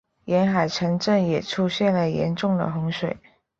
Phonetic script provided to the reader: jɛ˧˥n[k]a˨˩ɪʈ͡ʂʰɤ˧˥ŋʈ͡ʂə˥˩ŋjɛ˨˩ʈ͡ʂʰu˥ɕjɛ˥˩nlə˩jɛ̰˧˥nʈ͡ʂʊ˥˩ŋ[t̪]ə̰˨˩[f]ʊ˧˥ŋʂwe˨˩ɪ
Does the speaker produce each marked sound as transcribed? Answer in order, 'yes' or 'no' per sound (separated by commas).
no, no, no